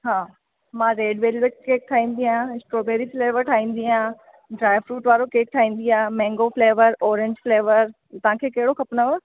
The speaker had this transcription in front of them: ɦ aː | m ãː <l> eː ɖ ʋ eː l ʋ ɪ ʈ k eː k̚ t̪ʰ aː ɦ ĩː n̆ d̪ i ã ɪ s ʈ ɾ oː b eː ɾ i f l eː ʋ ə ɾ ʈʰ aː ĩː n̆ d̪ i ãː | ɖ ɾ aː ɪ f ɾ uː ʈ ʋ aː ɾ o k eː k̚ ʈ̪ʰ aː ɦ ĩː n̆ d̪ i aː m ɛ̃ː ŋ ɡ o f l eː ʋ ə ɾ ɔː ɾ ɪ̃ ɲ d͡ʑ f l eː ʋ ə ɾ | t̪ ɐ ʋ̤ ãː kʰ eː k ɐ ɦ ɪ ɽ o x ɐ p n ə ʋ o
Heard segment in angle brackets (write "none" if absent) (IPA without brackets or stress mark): ɾ